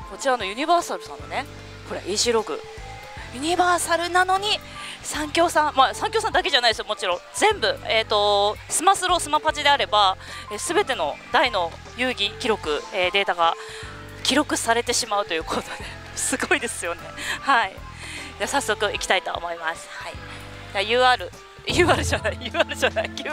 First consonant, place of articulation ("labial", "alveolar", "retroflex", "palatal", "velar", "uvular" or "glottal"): velar